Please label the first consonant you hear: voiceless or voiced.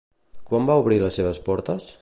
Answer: voiceless